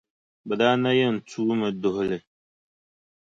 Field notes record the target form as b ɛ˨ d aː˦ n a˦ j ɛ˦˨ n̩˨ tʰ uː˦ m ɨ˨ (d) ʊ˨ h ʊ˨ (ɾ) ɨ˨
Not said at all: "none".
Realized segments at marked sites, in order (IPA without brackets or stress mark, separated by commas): d, l